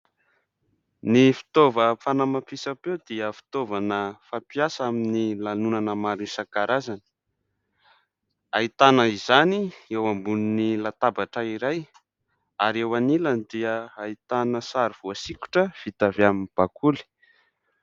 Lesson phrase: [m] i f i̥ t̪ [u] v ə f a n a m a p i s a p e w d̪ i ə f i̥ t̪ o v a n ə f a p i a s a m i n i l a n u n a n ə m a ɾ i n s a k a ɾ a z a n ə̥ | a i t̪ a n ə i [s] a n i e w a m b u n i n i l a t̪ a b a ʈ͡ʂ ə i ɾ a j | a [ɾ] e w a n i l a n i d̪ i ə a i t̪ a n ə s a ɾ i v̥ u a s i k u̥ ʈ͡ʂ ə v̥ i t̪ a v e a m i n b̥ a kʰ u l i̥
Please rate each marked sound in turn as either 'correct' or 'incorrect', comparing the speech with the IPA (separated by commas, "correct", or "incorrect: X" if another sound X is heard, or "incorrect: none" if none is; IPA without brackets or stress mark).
incorrect: n, incorrect: o, incorrect: z, correct